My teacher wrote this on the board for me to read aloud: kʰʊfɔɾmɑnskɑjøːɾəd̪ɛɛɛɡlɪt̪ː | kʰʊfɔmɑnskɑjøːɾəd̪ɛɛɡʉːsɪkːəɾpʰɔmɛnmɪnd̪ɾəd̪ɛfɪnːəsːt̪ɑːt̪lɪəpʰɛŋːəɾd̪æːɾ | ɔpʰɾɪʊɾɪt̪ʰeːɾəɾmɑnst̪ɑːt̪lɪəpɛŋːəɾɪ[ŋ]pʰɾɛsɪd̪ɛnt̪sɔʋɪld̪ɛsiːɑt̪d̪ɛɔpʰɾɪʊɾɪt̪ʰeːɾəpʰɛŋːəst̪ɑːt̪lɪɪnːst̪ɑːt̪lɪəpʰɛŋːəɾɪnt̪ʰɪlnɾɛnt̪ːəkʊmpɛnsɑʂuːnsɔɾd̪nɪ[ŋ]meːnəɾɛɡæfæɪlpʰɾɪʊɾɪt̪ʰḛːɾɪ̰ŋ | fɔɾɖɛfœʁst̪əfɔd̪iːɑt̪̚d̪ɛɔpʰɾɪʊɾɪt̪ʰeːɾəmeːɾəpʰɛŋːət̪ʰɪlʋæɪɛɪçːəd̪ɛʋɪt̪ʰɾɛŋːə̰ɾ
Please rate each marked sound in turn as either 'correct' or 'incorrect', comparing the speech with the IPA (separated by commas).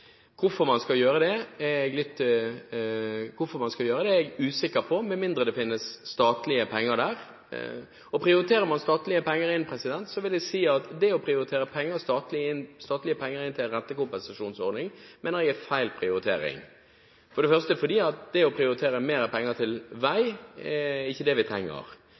incorrect, correct